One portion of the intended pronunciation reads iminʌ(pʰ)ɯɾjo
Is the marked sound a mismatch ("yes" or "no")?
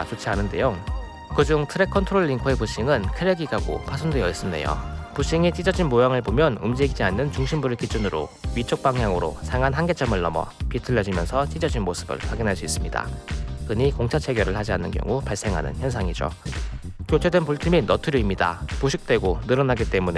yes